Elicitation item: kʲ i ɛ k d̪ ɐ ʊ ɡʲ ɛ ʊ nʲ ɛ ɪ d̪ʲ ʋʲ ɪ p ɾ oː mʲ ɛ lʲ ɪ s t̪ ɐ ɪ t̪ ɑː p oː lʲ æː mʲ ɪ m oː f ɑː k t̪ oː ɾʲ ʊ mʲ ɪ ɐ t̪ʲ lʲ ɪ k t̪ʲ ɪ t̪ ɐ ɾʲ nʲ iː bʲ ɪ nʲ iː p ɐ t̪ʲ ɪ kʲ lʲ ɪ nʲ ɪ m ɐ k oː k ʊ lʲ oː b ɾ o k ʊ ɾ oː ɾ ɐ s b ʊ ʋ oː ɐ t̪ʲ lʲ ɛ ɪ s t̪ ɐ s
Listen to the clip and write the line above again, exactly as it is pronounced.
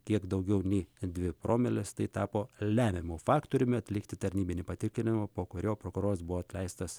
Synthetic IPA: kʲ i ɛ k d̪ ɐ ʊ ɡʲ ɛ ʊ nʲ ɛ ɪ d̪ʲ ʋʲ ɪ p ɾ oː mʲ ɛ lʲ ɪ s t̪ ɐ ɪ t̪ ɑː p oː lʲ æː mʲ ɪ m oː f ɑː k t̪ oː ɾʲ ʊ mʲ ɪ ɐ t̪ʲ lʲ ɪ k t̪ʲ ɪ t̪ ɐ ɾʲ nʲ iː bʲ ɪ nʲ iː p ɐ t̪ʲ ɪ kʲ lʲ ɪ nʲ ɪ m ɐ p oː k ʊ ɾʲ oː p ɾ o k ʊ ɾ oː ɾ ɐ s b ʊ ʋ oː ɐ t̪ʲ lʲ ɛ ɪ s t̪ ɐ s